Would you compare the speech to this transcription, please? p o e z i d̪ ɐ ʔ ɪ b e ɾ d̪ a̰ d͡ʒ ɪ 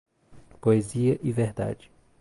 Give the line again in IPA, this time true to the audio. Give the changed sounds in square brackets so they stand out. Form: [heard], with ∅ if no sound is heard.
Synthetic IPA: p o e z i [∅] ɐ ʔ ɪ [v] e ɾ d̪ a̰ d͡ʒ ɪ